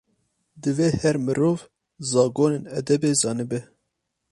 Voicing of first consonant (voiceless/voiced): voiced